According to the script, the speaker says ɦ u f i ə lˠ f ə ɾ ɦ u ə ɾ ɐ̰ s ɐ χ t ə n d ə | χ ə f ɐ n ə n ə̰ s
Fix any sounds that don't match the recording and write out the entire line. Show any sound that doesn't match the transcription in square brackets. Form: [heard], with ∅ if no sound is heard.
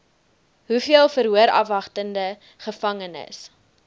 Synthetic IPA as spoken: ɦ u f i ə lˠ f ə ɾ ɦ u ə ɾ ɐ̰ [f] ɐ χ t ə n d ə | χ ə f ɐ [ŋ] ə n ə̰ s

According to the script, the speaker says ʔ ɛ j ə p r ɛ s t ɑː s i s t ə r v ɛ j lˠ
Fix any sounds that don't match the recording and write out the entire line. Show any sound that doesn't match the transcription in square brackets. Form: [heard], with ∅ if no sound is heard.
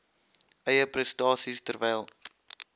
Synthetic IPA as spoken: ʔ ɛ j ə p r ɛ s t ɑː s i s t ə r v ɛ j lˠ

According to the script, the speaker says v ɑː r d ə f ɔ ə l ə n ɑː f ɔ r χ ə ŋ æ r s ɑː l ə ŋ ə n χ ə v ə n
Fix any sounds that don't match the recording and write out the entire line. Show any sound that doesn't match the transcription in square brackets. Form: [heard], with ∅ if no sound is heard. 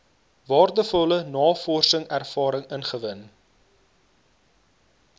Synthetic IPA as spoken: v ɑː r d ə f ɔ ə l ə n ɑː f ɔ r [s] ə ŋ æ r [f] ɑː [ɾ] ə ŋ ə n χ ə v ə n

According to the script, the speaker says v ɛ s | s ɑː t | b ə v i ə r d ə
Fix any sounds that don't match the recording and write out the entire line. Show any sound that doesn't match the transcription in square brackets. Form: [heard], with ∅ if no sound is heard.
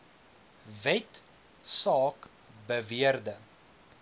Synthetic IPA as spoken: v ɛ [t] | s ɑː [k] | b ə v i ə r d ə

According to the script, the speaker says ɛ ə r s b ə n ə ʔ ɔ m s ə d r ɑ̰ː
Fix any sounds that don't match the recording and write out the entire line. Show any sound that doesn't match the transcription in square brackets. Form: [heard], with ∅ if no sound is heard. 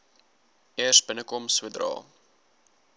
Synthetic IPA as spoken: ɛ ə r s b ə n ə [k] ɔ m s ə d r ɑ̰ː

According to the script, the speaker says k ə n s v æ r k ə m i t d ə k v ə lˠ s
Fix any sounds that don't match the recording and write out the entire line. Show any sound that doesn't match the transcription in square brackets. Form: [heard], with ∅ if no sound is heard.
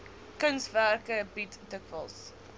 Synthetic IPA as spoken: k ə n s v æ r k ə [b] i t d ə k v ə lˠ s

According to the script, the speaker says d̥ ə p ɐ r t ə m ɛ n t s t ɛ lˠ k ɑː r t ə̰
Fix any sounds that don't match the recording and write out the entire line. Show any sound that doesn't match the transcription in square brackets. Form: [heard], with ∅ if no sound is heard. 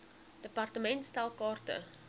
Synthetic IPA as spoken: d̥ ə p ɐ r t ə m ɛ n t s t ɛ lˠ k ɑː r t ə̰

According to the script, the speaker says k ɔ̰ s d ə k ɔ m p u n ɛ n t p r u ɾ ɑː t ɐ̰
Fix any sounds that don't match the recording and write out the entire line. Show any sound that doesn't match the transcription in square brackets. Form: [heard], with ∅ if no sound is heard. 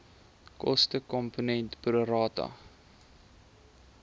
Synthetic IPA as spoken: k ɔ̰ s [t] ə k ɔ m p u n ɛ n t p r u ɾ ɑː t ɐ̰

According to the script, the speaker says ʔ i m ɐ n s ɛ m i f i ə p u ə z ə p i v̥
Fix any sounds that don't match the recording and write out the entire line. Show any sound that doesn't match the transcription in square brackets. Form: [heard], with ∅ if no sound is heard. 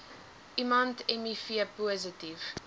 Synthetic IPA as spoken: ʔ i m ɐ n [t] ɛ m i f i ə p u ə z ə [t] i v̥

